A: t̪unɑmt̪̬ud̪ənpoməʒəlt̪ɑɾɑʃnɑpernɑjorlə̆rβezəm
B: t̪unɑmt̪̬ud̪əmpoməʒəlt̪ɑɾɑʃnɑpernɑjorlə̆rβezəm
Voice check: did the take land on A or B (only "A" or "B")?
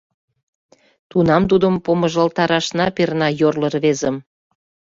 B